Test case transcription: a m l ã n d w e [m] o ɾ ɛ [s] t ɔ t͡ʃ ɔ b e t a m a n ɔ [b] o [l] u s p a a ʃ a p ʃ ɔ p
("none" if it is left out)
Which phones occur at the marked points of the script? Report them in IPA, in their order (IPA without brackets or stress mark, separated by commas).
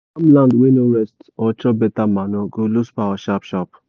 n, s, ɡ, l